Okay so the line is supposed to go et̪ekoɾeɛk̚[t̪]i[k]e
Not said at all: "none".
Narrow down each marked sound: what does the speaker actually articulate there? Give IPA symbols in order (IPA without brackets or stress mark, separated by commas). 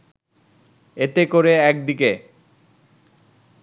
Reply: d̪, k